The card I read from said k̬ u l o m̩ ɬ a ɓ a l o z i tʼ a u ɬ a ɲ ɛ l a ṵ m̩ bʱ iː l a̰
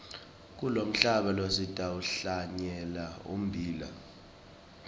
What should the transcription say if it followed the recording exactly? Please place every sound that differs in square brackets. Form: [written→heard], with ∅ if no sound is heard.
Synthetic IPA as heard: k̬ u l o m̩ ɬ a ɓ a l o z i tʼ a u ɬ a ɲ ɛ l a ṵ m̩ bʱ iː l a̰